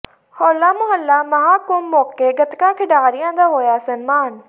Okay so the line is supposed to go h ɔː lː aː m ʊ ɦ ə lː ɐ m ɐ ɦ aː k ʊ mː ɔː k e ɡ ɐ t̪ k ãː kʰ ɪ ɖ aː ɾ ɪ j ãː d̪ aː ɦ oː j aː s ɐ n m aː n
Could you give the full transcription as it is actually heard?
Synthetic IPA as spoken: h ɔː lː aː m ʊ ɦ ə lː a m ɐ ɦ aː k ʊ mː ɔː k e ɡ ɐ t̪ k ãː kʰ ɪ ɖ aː ɾ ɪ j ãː d̪ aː ɦ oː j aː s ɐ n m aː n